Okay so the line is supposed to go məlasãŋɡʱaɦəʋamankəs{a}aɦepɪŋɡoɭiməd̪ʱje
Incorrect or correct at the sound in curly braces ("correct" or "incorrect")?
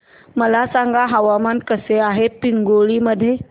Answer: incorrect